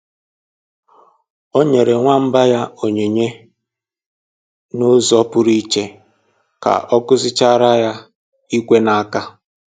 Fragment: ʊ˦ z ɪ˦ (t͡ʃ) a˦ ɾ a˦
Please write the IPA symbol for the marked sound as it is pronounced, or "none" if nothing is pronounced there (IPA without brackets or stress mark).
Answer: t͡ʃ